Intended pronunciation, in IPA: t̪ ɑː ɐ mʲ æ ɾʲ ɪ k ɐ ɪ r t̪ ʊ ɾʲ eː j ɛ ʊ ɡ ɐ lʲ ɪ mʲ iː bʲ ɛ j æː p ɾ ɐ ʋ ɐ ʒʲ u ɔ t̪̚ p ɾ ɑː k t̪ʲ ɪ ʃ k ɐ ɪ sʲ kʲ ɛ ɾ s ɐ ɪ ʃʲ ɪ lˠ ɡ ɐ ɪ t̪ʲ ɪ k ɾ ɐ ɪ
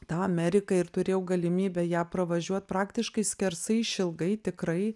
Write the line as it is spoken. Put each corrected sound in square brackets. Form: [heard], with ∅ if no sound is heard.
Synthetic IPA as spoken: t̪ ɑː ɐ mʲ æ ɾʲ ɪ k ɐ ɪ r t̪ ʊ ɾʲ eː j ɛ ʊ ɡ ɐ lʲ ɪ mʲ iː bʲ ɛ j æː p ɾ ɐ ʋ ɐ ʒʲ u ɔ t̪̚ p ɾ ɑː k t̪ʲ ɪ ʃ k ɐ ɪ sʲ kʲ ɛ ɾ s ɐ ɪ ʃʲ ɪ lˠ ɡ ɐ ɪ t̪ʲ ɪ k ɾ ɐ ɪ